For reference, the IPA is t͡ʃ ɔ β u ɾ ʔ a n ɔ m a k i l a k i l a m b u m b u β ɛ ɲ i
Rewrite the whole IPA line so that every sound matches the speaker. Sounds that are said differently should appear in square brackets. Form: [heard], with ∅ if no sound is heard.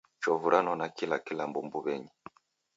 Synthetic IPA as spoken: t͡ʃ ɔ [v] u ɾ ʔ a n ɔ [n] a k i l a k i l a m b u m b u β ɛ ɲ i